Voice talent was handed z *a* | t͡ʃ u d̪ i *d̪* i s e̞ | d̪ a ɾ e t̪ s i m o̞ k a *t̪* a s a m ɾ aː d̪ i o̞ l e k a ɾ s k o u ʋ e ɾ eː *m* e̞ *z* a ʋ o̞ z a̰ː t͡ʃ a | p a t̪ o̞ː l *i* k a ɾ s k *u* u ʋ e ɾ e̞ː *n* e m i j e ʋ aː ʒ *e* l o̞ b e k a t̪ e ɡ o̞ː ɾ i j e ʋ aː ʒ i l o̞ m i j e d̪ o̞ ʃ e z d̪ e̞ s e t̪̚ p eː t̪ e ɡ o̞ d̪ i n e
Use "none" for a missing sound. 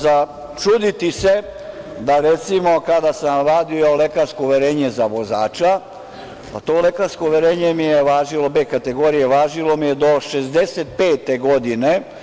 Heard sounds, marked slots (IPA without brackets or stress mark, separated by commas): a, t̪, d̪, ɲ, z, e, o, ɲ, i